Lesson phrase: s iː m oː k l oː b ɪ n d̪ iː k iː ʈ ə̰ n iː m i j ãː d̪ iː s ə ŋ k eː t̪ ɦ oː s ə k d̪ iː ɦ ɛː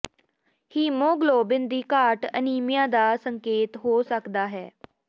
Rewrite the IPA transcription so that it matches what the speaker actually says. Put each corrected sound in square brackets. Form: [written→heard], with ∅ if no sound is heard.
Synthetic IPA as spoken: [s→h] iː m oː [k→ɡ] l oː b ɪ n d̪ iː k [iː→aː] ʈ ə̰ n iː m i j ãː d̪ [iː→aː] s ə ŋ k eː t̪ ɦ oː s ə k d̪ [iː→aː] ɦ ɛː